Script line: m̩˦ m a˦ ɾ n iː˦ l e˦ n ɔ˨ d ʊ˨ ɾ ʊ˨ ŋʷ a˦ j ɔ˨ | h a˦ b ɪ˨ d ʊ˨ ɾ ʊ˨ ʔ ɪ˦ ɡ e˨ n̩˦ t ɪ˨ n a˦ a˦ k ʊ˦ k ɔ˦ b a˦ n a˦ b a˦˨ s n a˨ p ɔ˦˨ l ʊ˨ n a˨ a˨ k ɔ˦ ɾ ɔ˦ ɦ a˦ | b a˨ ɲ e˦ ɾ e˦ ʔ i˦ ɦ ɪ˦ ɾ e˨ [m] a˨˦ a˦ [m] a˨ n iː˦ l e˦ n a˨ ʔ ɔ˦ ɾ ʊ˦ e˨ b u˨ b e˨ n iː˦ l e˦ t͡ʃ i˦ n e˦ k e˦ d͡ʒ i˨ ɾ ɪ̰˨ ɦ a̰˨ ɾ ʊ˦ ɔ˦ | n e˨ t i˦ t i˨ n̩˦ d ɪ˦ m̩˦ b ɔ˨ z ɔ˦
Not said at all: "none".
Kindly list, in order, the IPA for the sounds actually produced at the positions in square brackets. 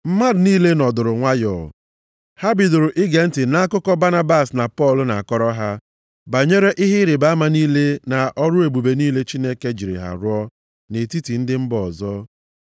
b, m

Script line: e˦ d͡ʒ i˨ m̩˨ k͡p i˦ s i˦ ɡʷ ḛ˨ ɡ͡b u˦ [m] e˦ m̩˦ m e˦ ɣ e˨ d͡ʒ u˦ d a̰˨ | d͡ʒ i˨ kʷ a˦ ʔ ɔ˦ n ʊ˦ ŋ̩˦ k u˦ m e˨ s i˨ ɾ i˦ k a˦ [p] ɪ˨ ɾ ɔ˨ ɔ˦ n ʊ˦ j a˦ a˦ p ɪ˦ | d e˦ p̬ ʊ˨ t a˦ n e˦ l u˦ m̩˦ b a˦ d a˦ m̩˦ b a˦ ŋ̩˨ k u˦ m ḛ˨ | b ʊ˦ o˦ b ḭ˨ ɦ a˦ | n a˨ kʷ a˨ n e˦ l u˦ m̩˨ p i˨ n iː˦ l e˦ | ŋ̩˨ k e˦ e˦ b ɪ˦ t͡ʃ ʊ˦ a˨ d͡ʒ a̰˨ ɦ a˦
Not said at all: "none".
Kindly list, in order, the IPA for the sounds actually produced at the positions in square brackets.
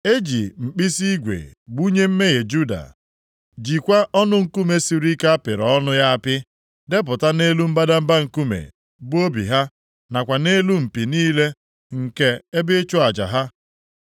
ɲ, p

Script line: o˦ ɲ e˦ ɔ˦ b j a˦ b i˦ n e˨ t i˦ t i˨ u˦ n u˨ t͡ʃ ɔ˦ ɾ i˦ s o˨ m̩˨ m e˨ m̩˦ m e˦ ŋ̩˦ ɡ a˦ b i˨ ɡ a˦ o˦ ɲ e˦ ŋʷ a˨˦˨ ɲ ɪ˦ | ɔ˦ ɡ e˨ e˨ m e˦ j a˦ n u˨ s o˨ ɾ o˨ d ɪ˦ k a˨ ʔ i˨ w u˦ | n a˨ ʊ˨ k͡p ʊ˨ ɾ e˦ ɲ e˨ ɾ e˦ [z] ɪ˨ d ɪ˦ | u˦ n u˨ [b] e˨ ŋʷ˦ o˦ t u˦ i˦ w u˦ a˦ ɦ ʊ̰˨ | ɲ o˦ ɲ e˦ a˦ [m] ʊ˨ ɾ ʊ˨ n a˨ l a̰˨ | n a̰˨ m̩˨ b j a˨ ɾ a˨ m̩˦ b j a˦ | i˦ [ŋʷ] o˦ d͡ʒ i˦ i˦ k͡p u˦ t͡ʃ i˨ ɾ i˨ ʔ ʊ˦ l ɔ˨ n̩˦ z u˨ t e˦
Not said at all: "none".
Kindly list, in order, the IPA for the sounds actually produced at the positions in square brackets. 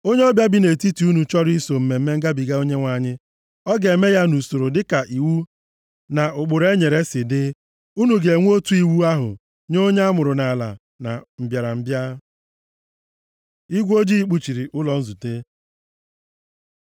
s, ɡ, m, ɡʷ

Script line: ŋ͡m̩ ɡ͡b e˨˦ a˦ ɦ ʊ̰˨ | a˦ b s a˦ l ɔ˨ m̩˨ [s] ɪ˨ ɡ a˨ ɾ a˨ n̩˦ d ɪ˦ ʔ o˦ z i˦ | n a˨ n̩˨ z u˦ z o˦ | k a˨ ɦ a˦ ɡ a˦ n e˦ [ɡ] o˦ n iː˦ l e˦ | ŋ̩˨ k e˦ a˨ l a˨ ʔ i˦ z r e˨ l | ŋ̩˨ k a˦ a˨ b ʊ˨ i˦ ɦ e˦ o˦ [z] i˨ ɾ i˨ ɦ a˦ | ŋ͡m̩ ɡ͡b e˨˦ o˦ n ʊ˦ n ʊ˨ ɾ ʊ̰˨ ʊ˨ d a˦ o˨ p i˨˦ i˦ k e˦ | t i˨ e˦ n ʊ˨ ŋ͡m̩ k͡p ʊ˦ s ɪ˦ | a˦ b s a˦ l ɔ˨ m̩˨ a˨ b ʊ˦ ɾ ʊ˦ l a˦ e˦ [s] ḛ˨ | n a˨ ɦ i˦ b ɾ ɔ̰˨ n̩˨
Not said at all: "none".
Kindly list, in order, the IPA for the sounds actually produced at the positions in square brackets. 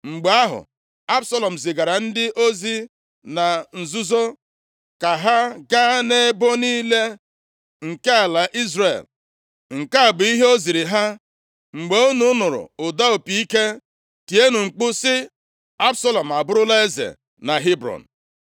z, b, z, z

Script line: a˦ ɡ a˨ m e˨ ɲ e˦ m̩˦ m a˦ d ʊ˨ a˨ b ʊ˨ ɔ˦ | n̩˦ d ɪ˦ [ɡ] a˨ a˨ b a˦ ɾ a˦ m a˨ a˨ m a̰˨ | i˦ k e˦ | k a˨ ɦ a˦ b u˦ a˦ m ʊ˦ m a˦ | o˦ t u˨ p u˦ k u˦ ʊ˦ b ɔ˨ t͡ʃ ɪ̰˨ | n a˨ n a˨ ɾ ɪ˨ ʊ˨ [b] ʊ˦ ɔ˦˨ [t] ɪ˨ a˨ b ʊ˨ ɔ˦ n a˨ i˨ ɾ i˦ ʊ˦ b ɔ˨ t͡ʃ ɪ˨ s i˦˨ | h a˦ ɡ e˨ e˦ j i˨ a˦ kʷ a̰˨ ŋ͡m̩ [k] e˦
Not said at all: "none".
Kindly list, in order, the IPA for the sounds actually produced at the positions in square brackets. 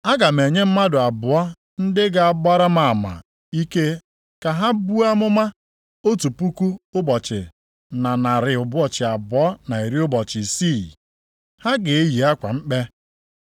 ɡ, b, t͡ʃ, k͡p

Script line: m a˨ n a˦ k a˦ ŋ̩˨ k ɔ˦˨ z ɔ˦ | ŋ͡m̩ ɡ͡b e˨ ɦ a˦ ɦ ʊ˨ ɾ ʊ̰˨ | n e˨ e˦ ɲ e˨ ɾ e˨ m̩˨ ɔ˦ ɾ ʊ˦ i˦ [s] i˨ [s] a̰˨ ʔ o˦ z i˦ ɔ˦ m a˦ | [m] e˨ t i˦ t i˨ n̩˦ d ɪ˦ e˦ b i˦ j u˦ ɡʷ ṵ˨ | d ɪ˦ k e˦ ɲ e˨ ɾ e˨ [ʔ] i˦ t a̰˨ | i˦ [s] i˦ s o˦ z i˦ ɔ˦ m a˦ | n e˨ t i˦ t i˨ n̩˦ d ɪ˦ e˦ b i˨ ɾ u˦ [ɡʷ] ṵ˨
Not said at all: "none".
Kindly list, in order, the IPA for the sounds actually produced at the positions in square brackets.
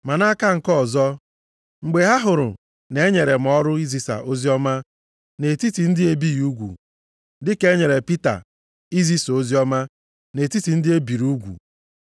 z, s, n, p, z, ɡʷ

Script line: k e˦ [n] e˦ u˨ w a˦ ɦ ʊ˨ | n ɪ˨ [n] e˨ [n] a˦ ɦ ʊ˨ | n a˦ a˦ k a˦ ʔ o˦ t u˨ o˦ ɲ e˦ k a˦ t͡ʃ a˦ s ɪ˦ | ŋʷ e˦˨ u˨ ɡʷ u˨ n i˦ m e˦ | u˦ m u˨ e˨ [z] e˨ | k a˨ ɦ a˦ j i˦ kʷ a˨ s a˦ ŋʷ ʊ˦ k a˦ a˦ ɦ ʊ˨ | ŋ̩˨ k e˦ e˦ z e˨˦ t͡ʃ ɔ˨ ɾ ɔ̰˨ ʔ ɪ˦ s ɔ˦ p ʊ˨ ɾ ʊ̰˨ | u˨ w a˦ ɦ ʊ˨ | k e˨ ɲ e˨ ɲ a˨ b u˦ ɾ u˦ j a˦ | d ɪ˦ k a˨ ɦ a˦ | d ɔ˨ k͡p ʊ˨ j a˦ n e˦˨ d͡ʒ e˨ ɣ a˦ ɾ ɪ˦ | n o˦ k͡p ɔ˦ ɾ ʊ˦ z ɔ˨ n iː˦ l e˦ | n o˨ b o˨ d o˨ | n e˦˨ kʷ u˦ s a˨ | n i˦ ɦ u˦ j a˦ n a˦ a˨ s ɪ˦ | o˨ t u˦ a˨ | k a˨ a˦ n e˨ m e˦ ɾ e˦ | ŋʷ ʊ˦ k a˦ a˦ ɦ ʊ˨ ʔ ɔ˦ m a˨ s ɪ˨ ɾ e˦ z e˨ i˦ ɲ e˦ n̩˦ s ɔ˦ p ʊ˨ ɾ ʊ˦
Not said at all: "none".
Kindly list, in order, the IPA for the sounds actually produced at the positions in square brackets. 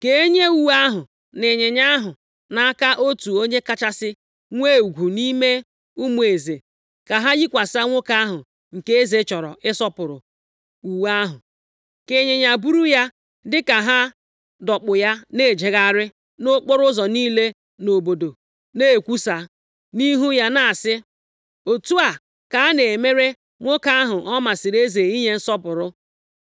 ɲ, ɲ, ɲ, z

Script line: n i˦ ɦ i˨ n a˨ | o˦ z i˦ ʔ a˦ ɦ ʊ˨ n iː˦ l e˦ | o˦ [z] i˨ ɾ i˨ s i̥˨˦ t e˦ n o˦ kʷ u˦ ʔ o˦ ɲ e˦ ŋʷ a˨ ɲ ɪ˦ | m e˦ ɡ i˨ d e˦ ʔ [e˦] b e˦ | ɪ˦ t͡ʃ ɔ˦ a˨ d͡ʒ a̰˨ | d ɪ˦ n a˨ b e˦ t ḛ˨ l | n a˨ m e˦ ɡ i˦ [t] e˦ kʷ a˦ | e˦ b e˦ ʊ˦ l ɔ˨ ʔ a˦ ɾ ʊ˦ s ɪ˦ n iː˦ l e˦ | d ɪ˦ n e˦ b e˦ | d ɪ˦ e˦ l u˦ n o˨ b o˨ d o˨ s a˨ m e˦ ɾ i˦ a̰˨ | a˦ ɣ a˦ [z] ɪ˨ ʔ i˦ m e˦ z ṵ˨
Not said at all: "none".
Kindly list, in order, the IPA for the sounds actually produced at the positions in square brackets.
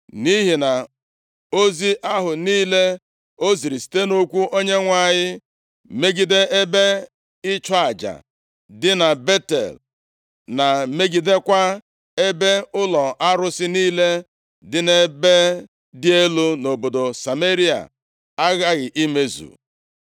z, e˦, d, ɣ

